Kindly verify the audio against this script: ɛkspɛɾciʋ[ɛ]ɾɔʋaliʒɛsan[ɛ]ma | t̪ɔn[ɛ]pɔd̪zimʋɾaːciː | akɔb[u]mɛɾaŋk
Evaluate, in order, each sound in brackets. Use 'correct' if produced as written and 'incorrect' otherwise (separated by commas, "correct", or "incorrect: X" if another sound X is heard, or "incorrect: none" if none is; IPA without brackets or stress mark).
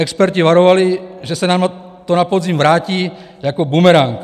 incorrect: a, incorrect: a, incorrect: a, correct